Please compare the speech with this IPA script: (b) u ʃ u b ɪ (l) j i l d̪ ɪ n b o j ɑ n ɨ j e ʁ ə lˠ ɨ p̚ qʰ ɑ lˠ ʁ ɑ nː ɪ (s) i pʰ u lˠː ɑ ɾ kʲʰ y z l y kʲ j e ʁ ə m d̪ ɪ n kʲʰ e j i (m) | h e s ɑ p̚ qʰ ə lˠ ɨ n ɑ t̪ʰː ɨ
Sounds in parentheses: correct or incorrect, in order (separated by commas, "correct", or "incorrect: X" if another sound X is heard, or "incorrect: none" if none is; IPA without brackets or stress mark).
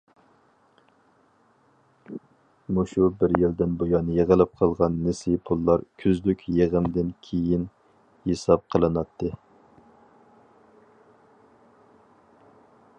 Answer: incorrect: m, incorrect: ɾ, correct, incorrect: n